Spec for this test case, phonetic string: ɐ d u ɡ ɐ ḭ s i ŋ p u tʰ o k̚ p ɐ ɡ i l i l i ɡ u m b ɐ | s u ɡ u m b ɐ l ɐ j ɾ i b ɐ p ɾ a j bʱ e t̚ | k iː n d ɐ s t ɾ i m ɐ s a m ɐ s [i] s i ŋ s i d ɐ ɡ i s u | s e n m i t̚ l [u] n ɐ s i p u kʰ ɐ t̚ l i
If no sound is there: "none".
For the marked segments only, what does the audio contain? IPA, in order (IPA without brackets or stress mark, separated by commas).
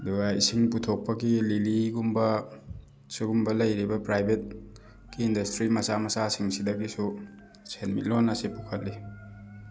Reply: a, o